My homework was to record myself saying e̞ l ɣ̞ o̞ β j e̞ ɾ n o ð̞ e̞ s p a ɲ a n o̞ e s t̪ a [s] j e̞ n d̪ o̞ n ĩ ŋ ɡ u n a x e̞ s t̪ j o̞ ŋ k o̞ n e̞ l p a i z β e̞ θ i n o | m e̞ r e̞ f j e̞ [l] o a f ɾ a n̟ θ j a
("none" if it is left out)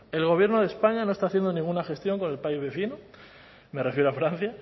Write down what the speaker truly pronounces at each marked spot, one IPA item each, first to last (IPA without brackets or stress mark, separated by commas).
θ, ɾ